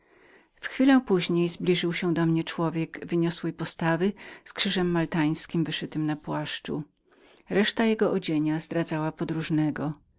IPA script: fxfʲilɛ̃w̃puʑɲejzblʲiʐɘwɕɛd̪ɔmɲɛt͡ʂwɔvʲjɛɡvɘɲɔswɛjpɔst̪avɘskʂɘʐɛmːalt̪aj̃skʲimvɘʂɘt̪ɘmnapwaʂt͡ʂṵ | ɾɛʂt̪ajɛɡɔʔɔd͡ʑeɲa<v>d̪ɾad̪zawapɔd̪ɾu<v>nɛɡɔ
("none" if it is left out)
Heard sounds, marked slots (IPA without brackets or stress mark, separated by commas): z, ʐ